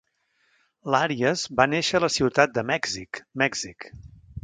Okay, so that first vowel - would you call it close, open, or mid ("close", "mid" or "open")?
open